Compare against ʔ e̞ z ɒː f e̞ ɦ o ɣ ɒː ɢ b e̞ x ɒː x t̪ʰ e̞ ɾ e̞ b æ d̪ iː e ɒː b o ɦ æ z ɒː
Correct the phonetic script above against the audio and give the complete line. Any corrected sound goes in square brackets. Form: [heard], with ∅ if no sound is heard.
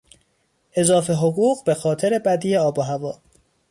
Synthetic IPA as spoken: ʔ e̞ z ɒː f e̞ ɦ o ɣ [uː] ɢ b e̞ x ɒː [∅] t̪ʰ e̞ ɾ e̞ b æ d̪ iː e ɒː b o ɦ æ [v] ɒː

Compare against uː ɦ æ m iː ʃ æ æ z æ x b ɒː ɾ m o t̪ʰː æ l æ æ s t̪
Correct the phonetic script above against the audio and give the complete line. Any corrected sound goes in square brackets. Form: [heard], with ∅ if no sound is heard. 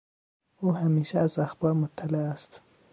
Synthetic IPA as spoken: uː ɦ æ m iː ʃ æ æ z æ x b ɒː ɾ m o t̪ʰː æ l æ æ s t̪

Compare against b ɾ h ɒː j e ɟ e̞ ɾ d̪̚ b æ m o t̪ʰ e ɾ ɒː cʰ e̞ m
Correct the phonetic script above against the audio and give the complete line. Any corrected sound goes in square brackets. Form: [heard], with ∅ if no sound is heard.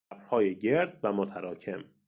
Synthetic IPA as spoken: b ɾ h ɒː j e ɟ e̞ ɾ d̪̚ [v] æ m o t̪ʰ [æ] ɾ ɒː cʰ e̞ m

